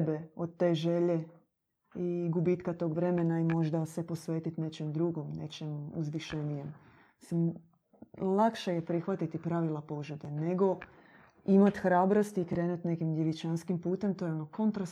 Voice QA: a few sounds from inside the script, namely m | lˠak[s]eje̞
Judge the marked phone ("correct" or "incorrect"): incorrect